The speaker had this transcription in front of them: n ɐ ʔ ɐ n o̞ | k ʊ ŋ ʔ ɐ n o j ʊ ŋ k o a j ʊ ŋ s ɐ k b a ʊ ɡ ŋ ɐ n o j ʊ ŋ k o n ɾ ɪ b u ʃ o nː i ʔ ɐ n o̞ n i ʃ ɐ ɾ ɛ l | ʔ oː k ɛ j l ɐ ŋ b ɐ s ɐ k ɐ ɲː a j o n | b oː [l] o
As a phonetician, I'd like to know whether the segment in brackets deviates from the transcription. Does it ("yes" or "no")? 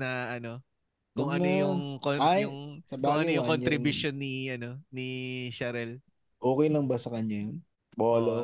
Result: no